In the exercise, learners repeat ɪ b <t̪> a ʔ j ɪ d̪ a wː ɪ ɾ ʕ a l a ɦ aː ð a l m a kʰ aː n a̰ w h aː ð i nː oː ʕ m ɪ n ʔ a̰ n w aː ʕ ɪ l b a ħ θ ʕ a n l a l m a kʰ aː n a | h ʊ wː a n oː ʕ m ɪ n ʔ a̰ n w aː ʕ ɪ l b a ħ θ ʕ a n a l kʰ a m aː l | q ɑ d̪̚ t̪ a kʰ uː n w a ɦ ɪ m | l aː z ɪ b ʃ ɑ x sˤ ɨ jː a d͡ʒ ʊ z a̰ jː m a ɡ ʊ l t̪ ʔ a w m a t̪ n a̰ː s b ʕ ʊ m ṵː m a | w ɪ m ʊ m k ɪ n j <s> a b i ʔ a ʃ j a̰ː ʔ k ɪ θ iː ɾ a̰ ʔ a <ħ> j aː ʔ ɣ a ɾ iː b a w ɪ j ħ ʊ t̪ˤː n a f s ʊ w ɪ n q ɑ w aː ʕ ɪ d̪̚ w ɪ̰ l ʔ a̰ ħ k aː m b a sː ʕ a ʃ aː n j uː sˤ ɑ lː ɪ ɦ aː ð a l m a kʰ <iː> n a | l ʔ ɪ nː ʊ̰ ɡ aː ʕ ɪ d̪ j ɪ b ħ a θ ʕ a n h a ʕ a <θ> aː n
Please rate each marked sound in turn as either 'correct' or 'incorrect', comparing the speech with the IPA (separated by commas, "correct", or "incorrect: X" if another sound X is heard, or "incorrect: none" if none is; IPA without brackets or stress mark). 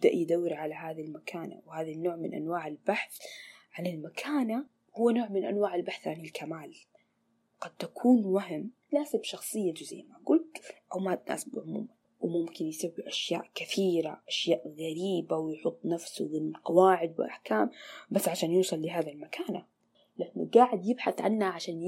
incorrect: d̪, correct, incorrect: ʃ, incorrect: aː, incorrect: ʃ